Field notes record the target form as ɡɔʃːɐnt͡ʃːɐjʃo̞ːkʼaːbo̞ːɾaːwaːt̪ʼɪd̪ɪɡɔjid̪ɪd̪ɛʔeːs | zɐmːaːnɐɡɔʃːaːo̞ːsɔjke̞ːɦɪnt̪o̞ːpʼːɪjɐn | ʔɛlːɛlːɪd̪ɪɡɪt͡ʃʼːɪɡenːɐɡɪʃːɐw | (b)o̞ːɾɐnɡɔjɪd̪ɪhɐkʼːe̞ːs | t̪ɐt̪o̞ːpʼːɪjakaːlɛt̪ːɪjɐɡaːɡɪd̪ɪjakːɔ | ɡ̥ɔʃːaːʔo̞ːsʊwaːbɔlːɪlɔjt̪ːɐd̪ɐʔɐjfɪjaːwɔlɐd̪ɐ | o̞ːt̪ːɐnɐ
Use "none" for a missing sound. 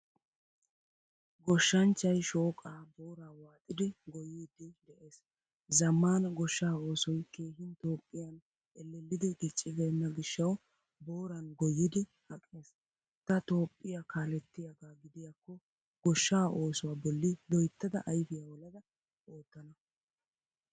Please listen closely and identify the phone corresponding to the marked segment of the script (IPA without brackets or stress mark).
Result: b